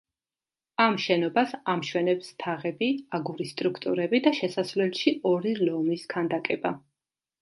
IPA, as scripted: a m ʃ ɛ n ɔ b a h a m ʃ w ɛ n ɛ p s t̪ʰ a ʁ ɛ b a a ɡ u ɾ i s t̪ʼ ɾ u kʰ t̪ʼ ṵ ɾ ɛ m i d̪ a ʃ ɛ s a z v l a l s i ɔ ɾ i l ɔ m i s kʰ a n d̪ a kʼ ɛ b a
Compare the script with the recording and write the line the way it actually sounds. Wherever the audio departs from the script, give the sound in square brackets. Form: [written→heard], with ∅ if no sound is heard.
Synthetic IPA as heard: a m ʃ ɛ n ɔ b a [h→s] a m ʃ w ɛ n ɛ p s t̪ʰ a ʁ ɛ b [a→i] a ɡ u ɾ i s t̪ʼ ɾ u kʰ t̪ʼ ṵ ɾ ɛ [m→b] i d̪ a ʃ ɛ s a [z→s] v l [a→ɛ] l [s→ʃ] i ɔ ɾ i l ɔ m i s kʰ a n d̪ a kʼ ɛ b a